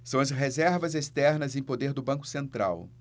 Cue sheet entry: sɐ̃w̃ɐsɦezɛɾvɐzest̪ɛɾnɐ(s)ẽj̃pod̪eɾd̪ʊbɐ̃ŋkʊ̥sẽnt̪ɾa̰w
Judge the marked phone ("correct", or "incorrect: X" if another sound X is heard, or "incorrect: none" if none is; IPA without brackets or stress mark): incorrect: z